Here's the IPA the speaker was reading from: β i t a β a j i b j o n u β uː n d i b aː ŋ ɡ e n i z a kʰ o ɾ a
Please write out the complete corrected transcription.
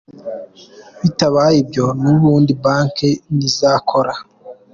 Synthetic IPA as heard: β i t a β a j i b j o n u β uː n d i b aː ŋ k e n i z a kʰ o ɾ a